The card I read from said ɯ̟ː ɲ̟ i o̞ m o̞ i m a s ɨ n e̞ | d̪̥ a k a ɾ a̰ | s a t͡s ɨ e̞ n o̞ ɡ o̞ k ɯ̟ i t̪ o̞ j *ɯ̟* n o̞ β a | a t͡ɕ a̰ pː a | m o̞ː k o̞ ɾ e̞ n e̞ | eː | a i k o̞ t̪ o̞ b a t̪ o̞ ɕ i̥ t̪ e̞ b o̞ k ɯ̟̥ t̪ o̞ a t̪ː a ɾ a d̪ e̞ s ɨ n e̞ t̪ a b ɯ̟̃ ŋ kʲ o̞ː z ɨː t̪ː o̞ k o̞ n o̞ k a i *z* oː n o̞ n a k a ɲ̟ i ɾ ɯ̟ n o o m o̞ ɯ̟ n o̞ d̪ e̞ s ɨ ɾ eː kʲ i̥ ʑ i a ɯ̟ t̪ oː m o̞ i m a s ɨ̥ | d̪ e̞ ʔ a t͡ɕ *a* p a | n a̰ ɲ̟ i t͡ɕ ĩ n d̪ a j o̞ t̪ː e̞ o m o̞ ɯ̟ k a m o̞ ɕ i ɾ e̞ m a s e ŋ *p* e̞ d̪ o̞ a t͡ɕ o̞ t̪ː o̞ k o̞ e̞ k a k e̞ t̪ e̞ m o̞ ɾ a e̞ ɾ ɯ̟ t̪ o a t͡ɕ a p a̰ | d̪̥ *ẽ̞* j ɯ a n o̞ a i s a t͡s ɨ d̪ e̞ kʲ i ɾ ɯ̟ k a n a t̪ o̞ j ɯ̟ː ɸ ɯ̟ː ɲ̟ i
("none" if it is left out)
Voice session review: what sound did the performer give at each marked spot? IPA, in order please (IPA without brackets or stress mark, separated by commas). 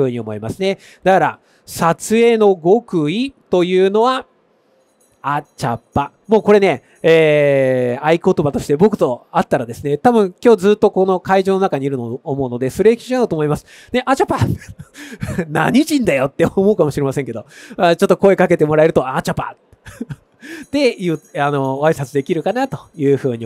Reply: ɯ̟ː, ʑ, a, k, e̞